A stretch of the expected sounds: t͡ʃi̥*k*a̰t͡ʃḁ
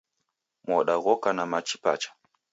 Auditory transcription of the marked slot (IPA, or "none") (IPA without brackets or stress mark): p